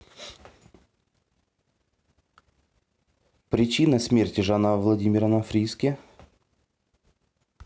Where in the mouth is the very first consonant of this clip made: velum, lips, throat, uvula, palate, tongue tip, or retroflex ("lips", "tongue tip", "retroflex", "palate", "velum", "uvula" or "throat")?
lips